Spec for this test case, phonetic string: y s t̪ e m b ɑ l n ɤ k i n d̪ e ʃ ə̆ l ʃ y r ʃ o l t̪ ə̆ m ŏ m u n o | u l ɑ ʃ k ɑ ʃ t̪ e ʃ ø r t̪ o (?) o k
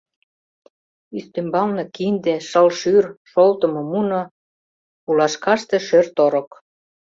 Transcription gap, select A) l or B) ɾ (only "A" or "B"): B